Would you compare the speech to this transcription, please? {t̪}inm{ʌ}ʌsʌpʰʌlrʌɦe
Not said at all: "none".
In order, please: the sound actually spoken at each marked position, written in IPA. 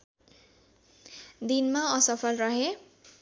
d̪, a

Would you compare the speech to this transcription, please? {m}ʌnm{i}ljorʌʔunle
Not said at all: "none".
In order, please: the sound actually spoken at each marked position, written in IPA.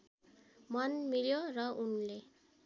m, i

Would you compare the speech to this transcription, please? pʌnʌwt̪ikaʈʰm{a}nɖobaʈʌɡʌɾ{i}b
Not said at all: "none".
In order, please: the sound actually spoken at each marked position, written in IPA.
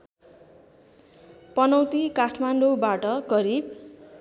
a, i

